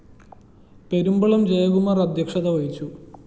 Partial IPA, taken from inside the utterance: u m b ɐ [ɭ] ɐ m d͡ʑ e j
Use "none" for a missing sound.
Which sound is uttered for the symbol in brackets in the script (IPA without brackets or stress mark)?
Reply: ɭ